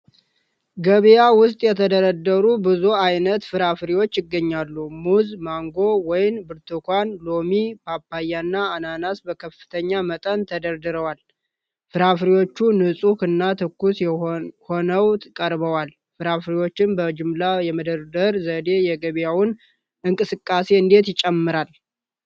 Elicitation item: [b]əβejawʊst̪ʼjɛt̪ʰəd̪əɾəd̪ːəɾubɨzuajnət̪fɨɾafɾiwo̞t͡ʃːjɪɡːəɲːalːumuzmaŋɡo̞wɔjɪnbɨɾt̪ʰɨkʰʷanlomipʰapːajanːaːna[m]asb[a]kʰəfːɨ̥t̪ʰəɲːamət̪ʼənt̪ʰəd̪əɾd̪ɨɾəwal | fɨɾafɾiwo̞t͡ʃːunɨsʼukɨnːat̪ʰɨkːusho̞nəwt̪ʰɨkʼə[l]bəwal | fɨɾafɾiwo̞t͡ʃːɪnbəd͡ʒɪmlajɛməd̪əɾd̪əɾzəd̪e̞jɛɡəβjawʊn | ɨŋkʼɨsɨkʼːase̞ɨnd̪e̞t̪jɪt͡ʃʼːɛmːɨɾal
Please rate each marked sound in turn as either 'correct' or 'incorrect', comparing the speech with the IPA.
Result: incorrect: ɡ, incorrect: n, incorrect: ə, incorrect: ɾ

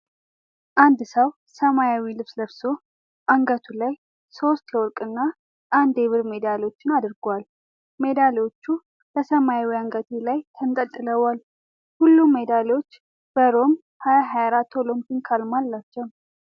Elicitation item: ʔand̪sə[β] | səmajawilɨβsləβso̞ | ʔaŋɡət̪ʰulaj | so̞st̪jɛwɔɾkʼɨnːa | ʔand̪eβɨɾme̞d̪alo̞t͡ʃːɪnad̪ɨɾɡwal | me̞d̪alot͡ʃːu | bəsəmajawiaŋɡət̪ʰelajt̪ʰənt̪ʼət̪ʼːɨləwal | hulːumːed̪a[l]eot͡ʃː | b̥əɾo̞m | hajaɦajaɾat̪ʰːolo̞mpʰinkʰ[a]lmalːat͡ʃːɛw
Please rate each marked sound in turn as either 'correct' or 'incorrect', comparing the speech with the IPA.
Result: incorrect: w, correct, correct

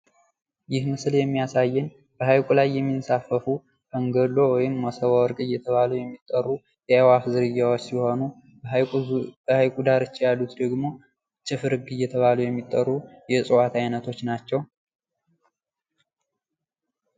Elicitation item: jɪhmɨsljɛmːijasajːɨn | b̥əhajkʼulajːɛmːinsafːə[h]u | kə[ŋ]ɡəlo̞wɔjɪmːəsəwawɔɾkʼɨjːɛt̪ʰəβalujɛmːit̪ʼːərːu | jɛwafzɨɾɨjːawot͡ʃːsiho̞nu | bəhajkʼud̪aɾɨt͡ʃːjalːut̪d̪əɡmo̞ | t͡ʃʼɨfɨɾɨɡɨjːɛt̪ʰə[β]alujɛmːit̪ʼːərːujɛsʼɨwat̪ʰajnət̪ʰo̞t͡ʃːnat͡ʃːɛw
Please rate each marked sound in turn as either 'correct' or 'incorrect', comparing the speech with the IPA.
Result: incorrect: f, correct, correct

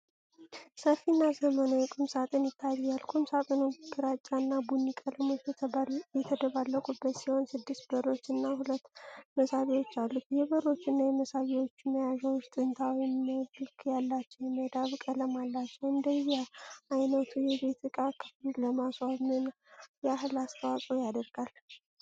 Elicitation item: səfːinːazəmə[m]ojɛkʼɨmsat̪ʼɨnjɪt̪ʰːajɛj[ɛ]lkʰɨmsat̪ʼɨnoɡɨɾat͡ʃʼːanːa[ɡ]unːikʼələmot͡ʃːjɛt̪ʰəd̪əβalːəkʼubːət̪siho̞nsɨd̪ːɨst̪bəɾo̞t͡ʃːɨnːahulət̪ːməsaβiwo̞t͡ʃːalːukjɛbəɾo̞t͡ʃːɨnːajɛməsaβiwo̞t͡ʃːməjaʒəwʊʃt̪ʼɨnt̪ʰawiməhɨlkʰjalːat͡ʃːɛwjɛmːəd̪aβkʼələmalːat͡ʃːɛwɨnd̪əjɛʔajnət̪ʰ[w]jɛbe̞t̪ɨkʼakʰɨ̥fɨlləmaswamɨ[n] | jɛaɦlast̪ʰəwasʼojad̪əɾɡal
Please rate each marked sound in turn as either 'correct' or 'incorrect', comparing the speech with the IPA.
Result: incorrect: n, incorrect: a, incorrect: b, incorrect: u, correct

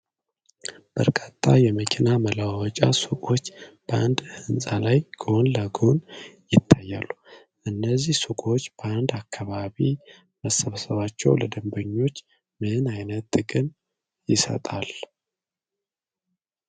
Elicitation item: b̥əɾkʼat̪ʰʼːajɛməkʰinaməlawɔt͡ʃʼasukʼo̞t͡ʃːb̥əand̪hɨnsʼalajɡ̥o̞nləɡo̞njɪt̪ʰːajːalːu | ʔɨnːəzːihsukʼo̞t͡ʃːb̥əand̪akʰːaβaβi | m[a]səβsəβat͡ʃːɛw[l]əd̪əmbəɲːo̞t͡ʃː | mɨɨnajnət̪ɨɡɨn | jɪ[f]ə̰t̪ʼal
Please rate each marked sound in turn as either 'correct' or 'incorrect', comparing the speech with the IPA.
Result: incorrect: ə, correct, incorrect: s

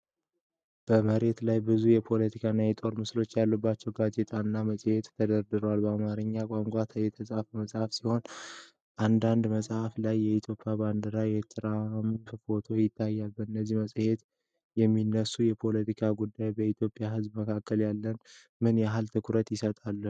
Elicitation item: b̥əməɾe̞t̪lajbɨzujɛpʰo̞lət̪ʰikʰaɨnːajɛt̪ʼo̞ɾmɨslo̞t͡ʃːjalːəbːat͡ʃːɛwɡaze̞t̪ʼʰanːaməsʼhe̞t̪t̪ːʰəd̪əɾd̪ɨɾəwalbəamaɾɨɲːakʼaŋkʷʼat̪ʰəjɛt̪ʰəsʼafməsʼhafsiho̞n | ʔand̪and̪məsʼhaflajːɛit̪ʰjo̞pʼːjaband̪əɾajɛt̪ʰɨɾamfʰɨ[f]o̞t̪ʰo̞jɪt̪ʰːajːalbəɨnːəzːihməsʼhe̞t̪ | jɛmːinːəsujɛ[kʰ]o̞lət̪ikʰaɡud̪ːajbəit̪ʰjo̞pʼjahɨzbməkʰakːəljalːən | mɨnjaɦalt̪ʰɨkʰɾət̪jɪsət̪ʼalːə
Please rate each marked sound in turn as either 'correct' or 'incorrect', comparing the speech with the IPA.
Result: correct, incorrect: pʰ

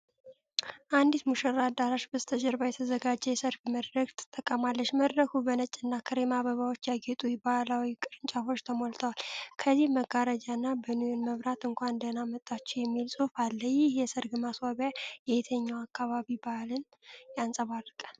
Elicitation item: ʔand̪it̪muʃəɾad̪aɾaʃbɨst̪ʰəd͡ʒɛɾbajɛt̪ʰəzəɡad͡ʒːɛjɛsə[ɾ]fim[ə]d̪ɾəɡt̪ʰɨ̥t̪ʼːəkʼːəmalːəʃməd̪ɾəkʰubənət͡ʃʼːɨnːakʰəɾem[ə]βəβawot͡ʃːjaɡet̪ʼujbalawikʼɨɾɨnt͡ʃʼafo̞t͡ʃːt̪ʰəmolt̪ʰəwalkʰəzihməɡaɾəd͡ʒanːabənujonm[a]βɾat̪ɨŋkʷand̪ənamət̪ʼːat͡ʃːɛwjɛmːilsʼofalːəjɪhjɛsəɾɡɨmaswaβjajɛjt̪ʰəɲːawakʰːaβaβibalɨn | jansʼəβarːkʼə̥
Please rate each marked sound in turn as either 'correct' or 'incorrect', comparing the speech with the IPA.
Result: correct, correct, incorrect: a, incorrect: ə

